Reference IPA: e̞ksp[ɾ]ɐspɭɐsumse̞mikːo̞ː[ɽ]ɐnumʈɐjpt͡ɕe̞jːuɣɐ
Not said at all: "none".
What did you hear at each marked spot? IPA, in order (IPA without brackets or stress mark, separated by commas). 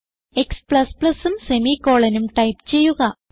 ɭ, ɭ